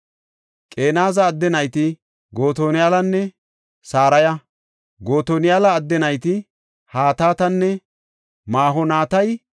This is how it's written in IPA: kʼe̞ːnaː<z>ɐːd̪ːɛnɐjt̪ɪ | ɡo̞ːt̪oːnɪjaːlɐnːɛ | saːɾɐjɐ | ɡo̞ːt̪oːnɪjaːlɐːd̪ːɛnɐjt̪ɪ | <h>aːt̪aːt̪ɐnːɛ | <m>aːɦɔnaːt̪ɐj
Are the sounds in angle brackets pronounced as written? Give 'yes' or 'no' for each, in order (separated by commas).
yes, yes, yes